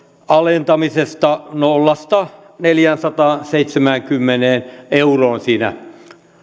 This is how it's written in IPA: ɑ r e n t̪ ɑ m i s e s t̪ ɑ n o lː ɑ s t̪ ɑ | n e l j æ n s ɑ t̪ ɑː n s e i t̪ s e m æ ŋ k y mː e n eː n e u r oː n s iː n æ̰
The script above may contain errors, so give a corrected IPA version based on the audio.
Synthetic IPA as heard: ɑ l e n t̪ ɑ m i s e s t̪ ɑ n o lː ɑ s t̪ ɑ | n e l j æ n s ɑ t̪ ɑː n s e i t̪ s e m æ ŋ k y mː e n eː n e u r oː n s iː n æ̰